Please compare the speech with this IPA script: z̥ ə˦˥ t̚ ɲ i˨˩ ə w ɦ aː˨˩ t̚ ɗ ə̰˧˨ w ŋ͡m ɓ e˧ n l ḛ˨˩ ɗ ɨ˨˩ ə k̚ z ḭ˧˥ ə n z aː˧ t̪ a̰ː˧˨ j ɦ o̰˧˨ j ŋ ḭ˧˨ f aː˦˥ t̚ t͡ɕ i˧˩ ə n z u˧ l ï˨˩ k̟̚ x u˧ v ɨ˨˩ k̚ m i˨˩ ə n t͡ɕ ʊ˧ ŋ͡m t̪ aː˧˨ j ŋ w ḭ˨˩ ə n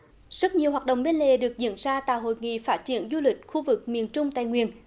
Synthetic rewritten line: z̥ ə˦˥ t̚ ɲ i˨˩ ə w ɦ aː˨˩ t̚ ɗ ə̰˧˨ w ŋ͡m ɓ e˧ n l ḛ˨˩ ɗ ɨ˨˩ ə k̚ z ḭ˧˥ ə n z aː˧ t̪ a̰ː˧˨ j ɦ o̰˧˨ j ŋ ḭ˧˨ f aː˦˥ t̚ t͡ɕ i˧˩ ə n z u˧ l ï˨˩ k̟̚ x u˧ v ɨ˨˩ k̚ m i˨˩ ə n t͡ɕ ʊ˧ ŋ͡m t̪ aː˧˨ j ŋ w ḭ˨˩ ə n